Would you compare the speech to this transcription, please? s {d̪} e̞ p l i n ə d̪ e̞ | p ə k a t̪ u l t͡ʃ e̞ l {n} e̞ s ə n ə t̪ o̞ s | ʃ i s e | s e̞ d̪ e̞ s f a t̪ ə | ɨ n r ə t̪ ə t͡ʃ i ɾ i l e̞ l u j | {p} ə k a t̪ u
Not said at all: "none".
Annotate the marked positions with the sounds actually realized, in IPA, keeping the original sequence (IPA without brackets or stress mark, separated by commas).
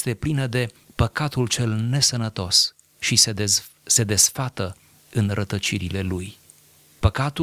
t̪, n, p